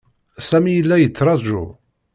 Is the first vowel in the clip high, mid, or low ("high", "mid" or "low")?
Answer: low